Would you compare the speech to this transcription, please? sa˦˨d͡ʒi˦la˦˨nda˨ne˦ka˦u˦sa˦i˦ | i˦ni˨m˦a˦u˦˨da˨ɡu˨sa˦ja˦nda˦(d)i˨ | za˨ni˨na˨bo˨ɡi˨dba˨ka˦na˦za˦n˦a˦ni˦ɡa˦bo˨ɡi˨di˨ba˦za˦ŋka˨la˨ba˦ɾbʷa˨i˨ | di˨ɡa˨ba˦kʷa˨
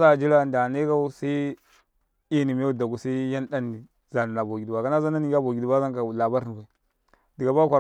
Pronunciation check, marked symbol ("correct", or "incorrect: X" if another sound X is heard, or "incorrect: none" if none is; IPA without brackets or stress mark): incorrect: n